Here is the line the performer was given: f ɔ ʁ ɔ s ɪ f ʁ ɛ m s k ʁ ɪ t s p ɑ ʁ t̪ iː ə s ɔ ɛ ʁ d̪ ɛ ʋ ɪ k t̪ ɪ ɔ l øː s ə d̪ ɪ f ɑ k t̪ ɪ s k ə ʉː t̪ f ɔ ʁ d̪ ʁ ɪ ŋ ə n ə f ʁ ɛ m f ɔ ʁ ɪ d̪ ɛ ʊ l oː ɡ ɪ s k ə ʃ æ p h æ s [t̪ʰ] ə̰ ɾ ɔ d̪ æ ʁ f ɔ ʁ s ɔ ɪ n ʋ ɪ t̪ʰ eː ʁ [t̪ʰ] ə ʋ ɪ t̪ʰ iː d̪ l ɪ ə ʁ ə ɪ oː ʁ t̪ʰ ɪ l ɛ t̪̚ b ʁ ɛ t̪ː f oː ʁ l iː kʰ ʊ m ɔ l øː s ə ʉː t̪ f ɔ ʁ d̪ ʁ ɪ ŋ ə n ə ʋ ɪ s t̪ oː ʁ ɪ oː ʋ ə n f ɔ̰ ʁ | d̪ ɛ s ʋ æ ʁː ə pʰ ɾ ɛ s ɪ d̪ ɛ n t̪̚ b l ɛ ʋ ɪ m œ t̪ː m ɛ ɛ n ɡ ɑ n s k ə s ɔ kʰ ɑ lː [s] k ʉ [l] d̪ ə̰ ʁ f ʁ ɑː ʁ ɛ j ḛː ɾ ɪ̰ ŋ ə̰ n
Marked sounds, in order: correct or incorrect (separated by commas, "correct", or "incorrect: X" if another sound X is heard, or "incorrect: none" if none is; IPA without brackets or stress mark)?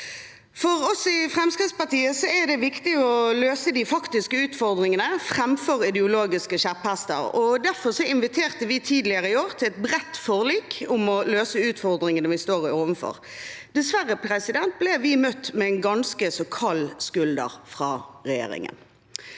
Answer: incorrect: t̪, incorrect: t̪, correct, correct